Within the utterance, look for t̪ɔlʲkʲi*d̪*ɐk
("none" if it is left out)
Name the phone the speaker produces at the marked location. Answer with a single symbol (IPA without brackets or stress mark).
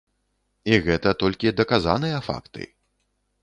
d̪